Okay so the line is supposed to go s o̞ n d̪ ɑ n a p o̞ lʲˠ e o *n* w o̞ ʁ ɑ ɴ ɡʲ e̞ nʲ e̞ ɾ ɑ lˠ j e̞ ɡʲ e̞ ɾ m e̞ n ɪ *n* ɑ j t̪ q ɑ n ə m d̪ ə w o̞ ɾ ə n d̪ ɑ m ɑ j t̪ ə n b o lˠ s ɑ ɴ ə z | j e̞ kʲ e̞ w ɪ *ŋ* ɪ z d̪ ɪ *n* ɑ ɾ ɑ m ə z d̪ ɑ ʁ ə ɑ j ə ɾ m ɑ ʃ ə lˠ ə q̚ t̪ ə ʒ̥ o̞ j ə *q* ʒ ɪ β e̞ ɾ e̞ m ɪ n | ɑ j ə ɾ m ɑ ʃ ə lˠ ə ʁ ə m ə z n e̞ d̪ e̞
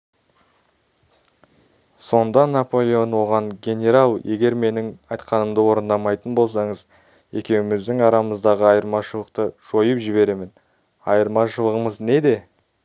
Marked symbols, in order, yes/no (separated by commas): yes, no, no, no, no